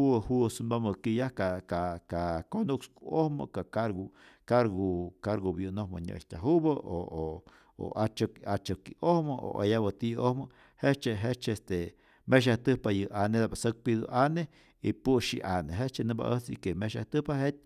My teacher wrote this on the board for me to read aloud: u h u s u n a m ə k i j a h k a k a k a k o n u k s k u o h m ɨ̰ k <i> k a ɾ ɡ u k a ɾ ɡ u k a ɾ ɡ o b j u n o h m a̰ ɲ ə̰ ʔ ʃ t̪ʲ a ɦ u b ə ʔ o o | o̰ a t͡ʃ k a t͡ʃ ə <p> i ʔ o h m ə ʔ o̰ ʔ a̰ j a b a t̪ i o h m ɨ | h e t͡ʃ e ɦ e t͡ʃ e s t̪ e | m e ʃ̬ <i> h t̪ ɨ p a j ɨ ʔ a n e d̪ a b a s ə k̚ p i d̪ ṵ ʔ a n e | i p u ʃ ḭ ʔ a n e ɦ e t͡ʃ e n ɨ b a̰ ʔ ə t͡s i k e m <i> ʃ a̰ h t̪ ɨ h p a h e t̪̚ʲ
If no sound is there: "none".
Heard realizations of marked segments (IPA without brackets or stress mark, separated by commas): a, k, a, e